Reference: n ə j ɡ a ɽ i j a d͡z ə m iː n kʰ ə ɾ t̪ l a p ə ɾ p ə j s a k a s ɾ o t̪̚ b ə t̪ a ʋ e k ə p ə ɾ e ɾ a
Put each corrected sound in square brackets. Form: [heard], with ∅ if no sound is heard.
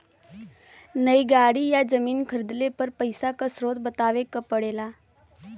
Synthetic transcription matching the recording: n ə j ɡ a ɽ i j a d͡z ə m iː n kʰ ə ɾ [d̪] l [e] p ə ɾ p ə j s a k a s ɾ o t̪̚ b ə t̪ a ʋ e k ə p ə [ɽ] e [l] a